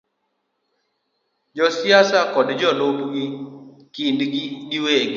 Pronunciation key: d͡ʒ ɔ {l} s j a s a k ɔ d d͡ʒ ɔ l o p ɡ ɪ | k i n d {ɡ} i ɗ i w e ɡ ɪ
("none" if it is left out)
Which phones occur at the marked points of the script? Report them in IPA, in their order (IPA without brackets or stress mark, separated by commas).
none, ɡ